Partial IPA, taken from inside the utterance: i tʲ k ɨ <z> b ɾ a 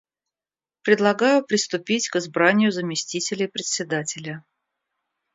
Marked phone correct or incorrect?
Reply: correct